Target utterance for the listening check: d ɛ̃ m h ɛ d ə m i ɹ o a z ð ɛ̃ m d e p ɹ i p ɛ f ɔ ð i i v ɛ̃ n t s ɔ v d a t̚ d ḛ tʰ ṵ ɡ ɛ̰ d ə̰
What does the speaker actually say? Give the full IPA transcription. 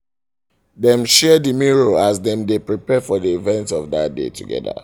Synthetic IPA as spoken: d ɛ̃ m ʃ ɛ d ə m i ɹ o a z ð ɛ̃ m d e p ɹ i p ɛ f ɔ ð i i v ɛ̃ n t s ɔ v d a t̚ d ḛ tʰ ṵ ɡ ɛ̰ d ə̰